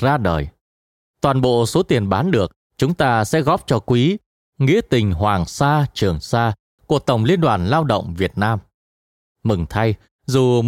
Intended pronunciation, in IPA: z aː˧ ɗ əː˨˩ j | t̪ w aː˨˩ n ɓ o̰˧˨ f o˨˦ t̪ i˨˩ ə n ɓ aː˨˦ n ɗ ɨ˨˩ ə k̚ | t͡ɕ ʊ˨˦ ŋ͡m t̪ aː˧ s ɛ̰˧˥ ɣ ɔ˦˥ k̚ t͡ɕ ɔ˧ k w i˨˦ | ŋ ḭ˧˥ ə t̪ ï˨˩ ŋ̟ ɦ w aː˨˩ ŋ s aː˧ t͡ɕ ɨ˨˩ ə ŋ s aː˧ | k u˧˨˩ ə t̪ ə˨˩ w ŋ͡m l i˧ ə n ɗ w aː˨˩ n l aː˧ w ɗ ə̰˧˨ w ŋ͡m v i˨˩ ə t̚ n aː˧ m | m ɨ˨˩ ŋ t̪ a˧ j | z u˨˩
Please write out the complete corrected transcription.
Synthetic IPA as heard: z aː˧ ɗ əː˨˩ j | t̪ w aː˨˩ n ɓ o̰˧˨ s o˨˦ t̪ i˨˩ ə n ɓ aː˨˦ n ɗ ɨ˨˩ ə k̚ | t͡ɕ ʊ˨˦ ŋ͡m t̪ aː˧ s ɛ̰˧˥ ɣ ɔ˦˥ p̚ t͡ɕ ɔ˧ k w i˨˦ | ŋ ḭ˧˥ ə t̪ ï˨˩ ŋ̟ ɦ w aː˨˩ ŋ s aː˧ t͡ɕ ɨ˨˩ ə ŋ s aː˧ | k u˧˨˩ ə t̪ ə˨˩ w ŋ͡m l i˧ ə n ɗ w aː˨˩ n l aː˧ w ɗ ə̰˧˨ w ŋ͡m v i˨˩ ə t̚ n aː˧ m | m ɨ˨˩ ŋ t̪ʰ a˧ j | z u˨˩